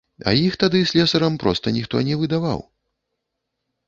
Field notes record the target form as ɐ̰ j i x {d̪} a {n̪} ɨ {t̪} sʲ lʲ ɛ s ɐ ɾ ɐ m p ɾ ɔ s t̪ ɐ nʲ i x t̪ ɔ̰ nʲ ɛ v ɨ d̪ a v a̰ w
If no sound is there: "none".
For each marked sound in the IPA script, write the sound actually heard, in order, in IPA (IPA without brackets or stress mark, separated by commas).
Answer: t̪, d̪, none